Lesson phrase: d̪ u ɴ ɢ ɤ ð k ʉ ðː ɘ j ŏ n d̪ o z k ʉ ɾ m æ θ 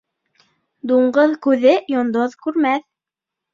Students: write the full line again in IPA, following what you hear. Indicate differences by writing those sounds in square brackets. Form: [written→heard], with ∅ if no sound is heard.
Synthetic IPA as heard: d̪ u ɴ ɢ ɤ ð k ʉ [ðː→ð] ɘ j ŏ n d̪ o [z→ð] k ʉ ɾ m æ θ

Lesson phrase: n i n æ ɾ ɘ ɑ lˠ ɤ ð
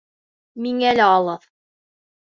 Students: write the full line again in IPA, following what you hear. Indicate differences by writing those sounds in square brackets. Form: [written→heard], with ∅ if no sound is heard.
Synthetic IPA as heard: [n→m] i [n→ŋ] æ [ɾ→l] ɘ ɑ lˠ ɤ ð

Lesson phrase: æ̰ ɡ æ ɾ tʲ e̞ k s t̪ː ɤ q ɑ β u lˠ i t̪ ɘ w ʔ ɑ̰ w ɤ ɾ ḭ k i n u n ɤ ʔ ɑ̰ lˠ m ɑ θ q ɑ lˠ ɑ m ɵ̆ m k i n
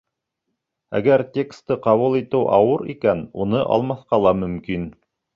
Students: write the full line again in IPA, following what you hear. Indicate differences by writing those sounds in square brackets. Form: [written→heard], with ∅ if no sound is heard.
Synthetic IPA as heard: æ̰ ɡ æ ɾ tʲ e̞ k s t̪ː ɤ q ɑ β u lˠ i t̪ ɘ w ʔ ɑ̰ w ɤ ɾ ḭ k [i→æ] n u n ɤ ʔ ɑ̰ lˠ m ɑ θ q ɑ lˠ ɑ m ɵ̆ m k i n

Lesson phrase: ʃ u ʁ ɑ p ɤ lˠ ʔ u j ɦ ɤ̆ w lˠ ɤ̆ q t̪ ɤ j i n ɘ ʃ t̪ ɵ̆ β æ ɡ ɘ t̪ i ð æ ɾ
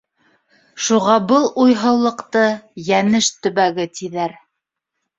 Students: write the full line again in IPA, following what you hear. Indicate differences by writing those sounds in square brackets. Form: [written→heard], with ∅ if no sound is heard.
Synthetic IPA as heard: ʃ u ʁ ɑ [p→b] ɤ lˠ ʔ u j ɦ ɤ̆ w lˠ ɤ̆ q t̪ ɤ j [i→æ] n ɘ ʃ t̪ ɵ̆ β æ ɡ ɘ t̪ i ð æ ɾ

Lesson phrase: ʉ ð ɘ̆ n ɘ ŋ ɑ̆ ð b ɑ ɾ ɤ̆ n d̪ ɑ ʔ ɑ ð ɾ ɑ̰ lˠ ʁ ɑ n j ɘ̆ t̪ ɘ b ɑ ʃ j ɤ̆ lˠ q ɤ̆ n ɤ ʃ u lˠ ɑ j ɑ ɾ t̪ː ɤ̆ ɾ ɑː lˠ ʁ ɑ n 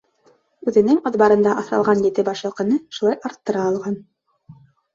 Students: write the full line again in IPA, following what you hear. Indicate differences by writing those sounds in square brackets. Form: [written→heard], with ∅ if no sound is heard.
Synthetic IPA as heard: ʉ ð ɘ̆ n ɘ ŋ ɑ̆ ð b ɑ ɾ ɤ̆ n d̪ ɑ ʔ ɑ [ð→θ] ɾ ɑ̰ lˠ ʁ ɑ n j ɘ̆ t̪ ɘ b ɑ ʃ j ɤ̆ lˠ q ɤ̆ n ɤ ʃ u lˠ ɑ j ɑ ɾ t̪ː ɤ̆ ɾ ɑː lˠ ʁ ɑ n

